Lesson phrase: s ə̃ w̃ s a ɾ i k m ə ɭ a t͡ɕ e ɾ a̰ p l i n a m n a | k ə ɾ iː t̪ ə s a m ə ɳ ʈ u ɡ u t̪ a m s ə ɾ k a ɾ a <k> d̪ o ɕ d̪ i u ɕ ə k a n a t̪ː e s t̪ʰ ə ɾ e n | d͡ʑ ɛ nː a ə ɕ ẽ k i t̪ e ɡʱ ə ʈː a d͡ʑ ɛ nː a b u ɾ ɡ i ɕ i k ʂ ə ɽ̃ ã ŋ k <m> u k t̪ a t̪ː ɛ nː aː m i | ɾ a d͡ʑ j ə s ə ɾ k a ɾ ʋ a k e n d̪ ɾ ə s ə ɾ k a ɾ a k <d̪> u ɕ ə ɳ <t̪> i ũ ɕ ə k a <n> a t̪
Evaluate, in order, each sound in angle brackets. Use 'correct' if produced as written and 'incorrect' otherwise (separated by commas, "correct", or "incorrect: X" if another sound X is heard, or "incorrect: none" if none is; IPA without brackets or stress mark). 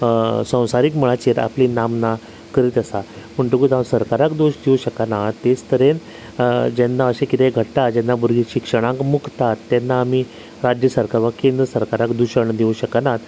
correct, correct, correct, incorrect: d̪, correct